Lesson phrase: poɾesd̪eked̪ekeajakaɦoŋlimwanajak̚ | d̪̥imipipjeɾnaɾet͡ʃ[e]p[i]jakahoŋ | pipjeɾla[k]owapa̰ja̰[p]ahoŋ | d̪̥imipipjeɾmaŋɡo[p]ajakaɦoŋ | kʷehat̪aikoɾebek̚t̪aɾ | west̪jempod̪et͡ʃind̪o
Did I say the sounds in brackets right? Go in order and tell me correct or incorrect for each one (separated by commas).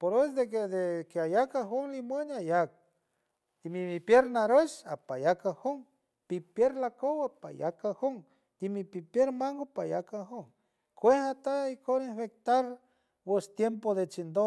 incorrect, incorrect, correct, incorrect, correct